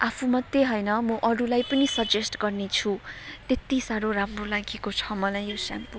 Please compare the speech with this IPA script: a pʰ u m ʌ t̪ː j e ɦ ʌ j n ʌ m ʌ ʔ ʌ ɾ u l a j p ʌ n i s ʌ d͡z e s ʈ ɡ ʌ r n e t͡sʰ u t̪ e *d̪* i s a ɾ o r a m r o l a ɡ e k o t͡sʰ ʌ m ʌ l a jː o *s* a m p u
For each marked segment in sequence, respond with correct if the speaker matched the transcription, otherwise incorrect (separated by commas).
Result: incorrect, correct